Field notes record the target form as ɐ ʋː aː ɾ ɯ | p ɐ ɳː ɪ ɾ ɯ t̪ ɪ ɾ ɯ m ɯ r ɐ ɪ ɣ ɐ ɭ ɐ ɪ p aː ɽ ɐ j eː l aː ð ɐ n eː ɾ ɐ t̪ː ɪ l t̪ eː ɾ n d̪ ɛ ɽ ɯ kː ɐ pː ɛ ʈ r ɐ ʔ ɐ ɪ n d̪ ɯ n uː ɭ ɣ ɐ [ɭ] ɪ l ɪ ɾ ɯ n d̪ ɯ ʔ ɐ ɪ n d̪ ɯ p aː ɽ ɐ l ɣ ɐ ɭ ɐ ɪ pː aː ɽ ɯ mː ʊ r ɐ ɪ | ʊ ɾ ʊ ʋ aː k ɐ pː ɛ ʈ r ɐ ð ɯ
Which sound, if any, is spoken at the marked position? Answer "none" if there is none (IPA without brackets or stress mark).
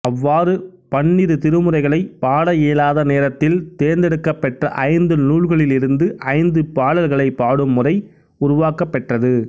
ɭ